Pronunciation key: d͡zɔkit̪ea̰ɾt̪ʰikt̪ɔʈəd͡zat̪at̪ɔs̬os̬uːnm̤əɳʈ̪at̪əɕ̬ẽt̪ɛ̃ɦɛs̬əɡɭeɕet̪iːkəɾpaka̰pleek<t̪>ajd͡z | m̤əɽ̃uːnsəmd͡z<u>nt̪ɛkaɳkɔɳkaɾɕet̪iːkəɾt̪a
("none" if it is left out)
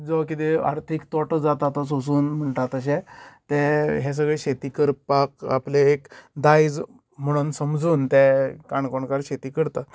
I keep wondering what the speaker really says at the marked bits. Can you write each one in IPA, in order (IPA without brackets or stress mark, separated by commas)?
d̪, uː